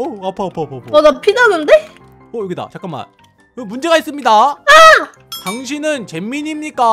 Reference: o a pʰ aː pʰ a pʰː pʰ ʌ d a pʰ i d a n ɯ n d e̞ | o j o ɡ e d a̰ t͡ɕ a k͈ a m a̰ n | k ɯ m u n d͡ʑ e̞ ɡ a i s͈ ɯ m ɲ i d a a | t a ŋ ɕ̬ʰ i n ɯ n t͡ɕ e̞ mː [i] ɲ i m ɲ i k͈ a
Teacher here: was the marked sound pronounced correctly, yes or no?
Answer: yes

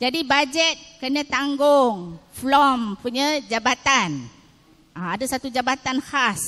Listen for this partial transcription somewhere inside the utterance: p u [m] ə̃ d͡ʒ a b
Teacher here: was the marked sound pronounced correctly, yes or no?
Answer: no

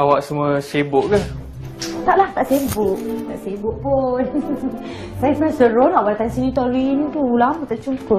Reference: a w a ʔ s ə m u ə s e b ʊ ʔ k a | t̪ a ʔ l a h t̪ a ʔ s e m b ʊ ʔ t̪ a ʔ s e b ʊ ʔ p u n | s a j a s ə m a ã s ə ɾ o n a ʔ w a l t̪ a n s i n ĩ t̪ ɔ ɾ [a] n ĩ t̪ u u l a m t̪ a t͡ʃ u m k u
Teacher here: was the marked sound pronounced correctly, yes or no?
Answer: no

